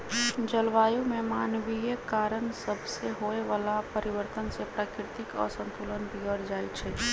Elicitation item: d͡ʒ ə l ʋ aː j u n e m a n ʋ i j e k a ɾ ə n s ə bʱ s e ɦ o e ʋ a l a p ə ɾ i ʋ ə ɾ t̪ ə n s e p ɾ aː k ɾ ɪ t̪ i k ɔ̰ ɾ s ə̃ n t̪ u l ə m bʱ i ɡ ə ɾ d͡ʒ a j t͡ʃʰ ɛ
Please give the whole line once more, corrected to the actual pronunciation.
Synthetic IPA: d͡ʒ ə l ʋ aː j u m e m a n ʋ i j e k a ɾ ə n s ə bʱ s e ɦ o e ʋ a l a p ə ɾ i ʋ ə ɾ t̪ ə n s e p ɾ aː k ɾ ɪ t̪ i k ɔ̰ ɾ s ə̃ n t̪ u l ə n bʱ i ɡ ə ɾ d͡ʒ a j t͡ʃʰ ɛ

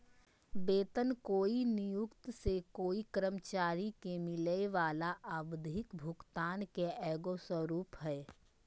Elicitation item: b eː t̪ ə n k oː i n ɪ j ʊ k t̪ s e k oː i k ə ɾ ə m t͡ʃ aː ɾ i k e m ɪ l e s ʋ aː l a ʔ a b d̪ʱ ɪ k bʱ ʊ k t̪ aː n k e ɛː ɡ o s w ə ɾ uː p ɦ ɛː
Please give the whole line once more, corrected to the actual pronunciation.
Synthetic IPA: b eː t̪ ə n k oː i n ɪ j ʊ k t̪ s e k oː i k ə ɾ ə m t͡ʃ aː ɾ i k e m ɪ l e ʋ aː l a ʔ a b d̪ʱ ɪ k bʱ ʊ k t̪ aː n k e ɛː ɡ o s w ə ɾ uː p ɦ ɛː

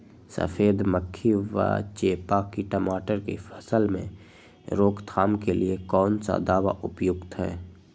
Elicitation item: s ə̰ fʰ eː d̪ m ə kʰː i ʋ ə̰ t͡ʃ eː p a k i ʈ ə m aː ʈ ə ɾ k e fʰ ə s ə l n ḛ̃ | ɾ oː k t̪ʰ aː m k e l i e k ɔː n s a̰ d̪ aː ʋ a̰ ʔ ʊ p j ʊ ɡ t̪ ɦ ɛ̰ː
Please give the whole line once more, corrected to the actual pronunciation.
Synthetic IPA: s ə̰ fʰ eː d̪ m ə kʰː i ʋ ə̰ t͡ʃ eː p a k i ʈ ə m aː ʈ ə ɾ k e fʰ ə s ə l m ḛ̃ | ɾ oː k t̪ʰ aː m k e l i e k ɔː n s a̰ d̪ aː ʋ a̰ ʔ ʊ p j ʊ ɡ t̪ ɦ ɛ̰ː

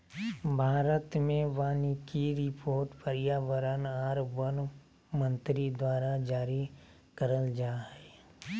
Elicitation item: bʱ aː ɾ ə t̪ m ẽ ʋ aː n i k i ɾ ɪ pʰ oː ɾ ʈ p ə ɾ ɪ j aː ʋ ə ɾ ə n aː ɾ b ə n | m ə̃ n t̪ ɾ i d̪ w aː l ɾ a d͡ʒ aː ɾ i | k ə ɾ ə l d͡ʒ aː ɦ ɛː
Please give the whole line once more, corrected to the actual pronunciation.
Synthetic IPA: bʱ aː ɾ ə t̪ m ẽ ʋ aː n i k i ɾ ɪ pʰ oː ɾ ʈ p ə ɾ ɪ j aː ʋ ə ɾ ə n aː ɾ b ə n | m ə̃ n t̪ ɾ i d̪ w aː ɾ a d͡ʒ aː ɾ i | k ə ɾ ə l d͡ʒ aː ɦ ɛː

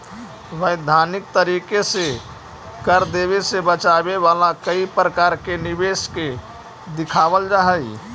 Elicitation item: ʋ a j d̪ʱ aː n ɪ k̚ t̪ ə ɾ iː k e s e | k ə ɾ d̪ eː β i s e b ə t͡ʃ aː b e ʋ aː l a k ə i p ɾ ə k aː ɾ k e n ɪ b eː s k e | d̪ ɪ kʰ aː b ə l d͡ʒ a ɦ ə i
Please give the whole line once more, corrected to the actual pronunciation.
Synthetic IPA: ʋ ə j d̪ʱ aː n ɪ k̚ t̪ ə ɾ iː k e s e | k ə ɾ d̪ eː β e s e b ə t͡ʃ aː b e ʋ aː l a k ə i p ɾ ə k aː ɾ k e n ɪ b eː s k e | d̪ ɪ kʰ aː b ə l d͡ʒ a ɦ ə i

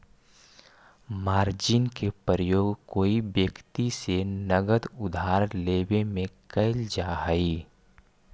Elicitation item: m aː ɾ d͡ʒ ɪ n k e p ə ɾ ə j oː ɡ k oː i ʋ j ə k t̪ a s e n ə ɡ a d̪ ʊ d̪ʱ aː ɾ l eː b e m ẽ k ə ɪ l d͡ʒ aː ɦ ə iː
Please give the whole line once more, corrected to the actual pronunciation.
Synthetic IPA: m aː ɾ d͡ʒ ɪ n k e p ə ɾ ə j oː ɡ k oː i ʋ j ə k t̪ i s e n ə ɡ ə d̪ ʊ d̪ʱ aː ɾ l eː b e m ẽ k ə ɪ l d͡ʒ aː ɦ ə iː

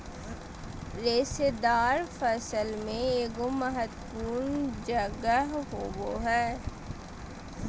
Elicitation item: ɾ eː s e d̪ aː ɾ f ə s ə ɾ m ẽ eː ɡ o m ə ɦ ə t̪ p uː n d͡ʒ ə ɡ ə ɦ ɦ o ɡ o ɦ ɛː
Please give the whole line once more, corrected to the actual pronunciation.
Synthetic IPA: ɾ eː s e d̪ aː ɾ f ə s ə l m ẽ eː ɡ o m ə ɦ ə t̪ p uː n d͡ʒ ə ɡ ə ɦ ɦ o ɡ o ɦ ɛː

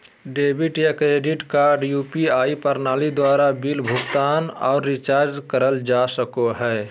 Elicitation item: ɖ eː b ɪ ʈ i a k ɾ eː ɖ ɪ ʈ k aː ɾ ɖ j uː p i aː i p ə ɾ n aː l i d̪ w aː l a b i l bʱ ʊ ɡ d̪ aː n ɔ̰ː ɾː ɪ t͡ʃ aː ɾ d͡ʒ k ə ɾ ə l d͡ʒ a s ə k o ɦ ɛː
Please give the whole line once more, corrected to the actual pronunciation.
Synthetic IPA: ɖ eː b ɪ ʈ j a k ɾ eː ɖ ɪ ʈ k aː ɾ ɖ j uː p i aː i p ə ɾ n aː l i d̪ w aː ɾ a b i l bʱ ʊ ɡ t̪ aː n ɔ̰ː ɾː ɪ t͡ʃ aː ɾ d͡ʒ k ə ɾ ə l d͡ʒ a s ə k o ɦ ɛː

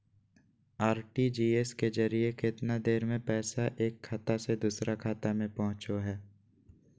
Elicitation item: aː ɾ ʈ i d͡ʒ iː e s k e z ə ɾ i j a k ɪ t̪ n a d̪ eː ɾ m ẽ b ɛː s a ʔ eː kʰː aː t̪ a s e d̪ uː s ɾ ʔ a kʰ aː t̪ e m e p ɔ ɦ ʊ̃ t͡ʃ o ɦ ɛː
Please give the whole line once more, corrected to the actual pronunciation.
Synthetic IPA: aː ɾ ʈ i d͡ʒ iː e s k e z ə ɾ i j e k ɪ t̪ n a d̪ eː ɾ m ẽ p ɛː s a ʔ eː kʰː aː t̪ a s e d̪ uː s ɾ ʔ a kʰ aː t̪ a m ẽ p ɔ ɦ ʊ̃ t͡ʃ o ɦ ɛː

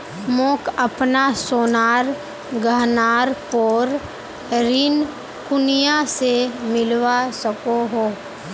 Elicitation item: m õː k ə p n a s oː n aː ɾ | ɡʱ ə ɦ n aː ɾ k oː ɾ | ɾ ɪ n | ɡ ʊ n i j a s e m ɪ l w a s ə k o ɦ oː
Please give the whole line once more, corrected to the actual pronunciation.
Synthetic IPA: m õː k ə p n a s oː n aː ɾ | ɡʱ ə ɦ n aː ɾ p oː ɾ | ɾ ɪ n | k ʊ n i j a s e m ɪ l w a s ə k o ɦ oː

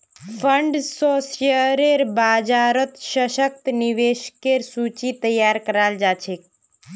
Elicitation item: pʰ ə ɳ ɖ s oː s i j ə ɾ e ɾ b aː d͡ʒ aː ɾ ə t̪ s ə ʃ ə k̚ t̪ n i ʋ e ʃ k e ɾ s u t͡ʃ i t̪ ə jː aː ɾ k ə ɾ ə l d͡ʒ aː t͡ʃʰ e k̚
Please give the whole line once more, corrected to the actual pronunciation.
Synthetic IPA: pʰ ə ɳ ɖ s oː s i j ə ɾ e ɾ b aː d͡ʒ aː ɾ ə t̪ ʃ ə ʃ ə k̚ t̪ n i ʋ e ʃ k e ɾ s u t͡ʃ i t̪ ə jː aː ɾ k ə ɾ a l d͡ʒ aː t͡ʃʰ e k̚

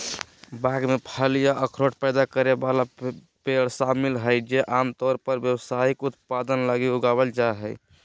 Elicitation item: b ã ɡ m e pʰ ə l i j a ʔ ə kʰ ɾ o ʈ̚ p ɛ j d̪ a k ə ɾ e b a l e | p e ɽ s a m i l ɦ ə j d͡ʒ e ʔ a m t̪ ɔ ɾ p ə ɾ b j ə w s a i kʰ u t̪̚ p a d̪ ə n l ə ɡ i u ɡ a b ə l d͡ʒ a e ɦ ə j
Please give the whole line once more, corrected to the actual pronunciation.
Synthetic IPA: b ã ɡ m e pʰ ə l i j a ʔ ə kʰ ɾ o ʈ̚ p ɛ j d̪ a k ə ɾ e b a l a | p e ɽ s a m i l ɦ ə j d͡ʒ e ʔ a m t̪ ɔ ɾ p ə ɾ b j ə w s a i k u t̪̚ p a d̪ ə n l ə ɡ i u ɡ a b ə l d͡ʒ a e ɦ ə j

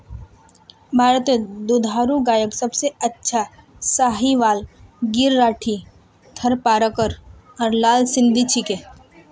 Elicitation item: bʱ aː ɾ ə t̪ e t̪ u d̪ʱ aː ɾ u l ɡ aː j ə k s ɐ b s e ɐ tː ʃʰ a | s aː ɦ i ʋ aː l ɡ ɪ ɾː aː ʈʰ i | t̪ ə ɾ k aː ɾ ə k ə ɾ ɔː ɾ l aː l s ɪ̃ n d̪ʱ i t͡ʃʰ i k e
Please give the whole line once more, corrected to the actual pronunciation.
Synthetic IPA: bʱ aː ɾ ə t̪ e d̪ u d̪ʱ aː ɾ u ɡ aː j ə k s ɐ b s e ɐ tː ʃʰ a | s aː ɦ i ʋ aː l ɡ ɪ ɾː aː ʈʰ i | t̪ʰ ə ɾ p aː ɾ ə k ə ɾ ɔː ɾ l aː l s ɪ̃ n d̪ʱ i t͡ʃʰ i k e

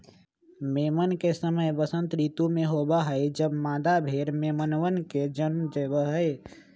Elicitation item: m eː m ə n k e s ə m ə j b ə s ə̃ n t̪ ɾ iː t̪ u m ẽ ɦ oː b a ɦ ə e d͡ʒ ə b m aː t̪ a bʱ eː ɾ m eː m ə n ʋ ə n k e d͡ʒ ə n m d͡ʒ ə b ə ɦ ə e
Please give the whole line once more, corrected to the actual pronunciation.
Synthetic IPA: m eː m ə n k e s ə m ə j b ə s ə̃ n t̪ ɾ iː t̪ u m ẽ ɦ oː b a ɦ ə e d͡ʒ ə b m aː d̪ a bʱ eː ɾ m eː m ə n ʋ ə n k e d͡ʒ ə n m d͡ʒ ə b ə ɦ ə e

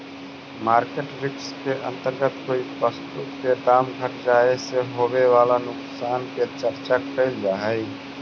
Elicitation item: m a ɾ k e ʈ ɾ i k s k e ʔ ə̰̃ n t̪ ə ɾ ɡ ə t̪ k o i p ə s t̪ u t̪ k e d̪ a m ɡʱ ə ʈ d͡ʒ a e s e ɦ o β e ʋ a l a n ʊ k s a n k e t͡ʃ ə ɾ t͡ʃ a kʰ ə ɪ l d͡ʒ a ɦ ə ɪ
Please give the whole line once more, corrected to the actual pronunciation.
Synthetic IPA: m a ɾ k e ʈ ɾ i k s k e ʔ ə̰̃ n t̪ ə ɾ ɡ ə t̪ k o i p ə s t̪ u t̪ k e d̪ a m ɡʱ ə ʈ d͡ʒ a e s e ɦ o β e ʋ a l a n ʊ k s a n k e t͡ʃ ə ɾ t͡ʃ a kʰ ə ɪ l d͡ʒ a ɦ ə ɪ

